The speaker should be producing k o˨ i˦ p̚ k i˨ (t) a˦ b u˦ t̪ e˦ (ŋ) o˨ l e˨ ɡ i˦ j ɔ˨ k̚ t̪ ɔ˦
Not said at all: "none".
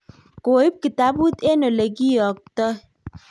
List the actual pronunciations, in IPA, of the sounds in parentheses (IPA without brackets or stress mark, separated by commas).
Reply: t, n